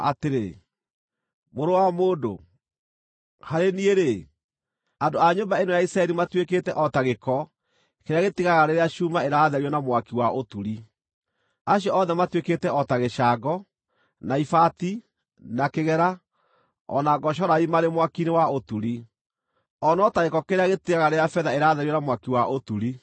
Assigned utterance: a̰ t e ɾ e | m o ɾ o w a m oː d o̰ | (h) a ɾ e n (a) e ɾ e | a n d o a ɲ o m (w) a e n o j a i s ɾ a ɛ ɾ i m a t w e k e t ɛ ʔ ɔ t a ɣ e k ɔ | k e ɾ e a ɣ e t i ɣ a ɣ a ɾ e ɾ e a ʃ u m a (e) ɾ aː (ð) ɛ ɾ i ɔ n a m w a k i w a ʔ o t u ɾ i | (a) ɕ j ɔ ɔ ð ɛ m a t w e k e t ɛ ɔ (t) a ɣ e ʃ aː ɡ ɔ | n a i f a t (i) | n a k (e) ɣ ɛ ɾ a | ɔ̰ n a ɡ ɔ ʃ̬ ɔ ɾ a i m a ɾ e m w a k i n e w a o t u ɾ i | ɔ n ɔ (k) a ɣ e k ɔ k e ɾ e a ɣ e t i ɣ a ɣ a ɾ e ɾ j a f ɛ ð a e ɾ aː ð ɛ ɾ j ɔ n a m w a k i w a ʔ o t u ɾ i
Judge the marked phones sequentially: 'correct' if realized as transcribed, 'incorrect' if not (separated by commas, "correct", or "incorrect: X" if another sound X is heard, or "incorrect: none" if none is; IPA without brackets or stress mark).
correct, incorrect: i, incorrect: b, correct, correct, correct, correct, correct, correct, incorrect: t